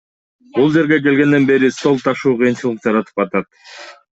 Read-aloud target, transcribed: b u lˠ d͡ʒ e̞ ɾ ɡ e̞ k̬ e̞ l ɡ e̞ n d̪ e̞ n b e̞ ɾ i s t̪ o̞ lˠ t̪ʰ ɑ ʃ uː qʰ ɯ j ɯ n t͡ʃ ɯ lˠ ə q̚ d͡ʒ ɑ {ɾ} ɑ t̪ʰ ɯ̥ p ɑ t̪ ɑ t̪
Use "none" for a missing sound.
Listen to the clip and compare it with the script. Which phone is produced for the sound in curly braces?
ɾ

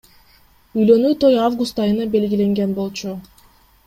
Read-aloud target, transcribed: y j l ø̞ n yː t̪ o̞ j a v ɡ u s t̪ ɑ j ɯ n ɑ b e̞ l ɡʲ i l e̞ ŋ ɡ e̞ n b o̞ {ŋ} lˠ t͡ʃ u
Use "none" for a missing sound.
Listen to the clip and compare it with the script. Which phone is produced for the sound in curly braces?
none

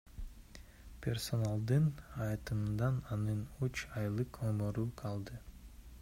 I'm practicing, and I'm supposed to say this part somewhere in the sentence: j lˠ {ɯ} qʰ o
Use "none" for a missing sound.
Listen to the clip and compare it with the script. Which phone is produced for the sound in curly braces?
ɯ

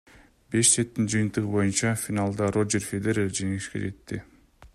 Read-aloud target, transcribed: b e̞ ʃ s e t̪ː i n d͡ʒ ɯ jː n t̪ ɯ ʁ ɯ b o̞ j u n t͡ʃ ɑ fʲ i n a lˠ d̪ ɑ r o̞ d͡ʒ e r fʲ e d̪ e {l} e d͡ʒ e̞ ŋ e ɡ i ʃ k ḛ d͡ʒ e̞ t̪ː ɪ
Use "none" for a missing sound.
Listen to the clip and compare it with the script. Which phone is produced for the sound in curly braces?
ɾ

